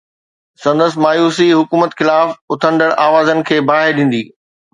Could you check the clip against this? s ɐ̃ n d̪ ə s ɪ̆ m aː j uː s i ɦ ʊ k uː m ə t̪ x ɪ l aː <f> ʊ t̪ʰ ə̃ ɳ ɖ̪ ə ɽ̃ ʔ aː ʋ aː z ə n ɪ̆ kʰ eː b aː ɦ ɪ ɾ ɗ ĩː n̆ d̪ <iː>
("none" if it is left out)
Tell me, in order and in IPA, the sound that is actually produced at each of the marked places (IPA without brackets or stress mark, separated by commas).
f, iː